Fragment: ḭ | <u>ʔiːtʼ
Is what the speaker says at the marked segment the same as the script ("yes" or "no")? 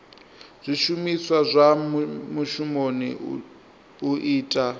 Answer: yes